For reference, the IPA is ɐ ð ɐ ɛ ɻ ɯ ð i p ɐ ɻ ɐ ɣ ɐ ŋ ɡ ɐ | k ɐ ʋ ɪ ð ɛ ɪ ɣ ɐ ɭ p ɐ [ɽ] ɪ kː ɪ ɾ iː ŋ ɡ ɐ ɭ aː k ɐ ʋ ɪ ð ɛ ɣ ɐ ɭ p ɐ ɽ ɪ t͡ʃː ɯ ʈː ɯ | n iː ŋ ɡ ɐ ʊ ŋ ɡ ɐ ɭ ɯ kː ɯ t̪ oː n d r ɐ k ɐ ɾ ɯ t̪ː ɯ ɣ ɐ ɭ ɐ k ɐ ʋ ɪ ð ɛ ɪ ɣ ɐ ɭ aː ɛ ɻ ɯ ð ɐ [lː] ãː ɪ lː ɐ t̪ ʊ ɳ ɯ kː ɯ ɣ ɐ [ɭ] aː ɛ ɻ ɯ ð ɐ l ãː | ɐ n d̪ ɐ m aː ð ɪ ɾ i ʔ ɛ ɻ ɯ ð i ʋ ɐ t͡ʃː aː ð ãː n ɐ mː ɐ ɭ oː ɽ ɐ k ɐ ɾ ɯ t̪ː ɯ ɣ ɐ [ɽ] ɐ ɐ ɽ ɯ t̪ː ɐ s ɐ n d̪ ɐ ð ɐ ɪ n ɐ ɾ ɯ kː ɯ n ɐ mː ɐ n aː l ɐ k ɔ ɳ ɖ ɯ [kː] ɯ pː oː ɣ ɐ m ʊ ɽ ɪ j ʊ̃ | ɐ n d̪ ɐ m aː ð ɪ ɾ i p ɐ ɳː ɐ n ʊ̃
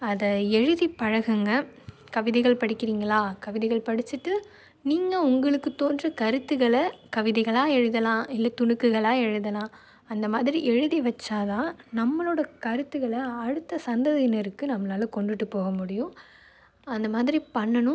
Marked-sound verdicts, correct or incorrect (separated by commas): correct, incorrect, correct, incorrect, incorrect